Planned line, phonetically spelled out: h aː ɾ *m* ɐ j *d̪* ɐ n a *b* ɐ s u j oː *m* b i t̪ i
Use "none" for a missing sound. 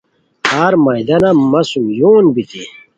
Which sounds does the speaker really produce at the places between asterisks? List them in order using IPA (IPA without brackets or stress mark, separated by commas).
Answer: m, d̪, m, n